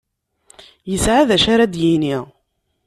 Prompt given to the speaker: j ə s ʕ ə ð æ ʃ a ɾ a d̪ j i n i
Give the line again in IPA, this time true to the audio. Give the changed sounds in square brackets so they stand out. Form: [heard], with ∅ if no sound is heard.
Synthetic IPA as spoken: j ə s ʕ [a] ð æ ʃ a ɾ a d̪ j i n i